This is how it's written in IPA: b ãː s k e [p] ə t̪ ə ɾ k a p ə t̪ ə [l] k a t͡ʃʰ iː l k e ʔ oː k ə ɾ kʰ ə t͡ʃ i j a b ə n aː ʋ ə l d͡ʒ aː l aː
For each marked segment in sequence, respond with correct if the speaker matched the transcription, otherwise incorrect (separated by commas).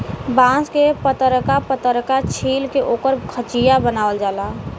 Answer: correct, incorrect